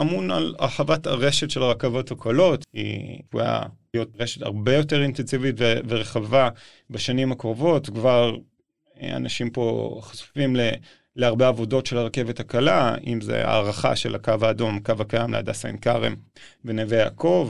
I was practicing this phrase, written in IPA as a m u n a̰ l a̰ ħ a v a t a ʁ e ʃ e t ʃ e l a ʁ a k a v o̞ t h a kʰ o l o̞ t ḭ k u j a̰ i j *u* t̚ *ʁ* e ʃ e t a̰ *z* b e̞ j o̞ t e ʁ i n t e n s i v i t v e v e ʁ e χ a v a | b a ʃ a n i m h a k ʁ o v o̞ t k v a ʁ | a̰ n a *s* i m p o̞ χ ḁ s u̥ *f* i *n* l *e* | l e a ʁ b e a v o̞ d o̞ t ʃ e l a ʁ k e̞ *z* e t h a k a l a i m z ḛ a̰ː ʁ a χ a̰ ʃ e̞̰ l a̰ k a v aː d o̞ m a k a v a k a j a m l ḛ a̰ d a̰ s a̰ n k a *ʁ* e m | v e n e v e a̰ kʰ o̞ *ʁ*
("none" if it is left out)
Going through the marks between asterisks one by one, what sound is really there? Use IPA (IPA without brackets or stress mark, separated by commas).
o, ʁ, ʁ, ʃ, f, m, e, v, ʁ, v